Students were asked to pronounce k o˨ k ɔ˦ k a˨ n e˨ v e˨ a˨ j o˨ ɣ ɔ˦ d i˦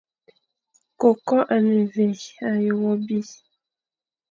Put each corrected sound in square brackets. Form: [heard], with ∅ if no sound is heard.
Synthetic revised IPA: k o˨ k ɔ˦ [ʔ] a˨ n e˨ v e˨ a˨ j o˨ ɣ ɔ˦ [b] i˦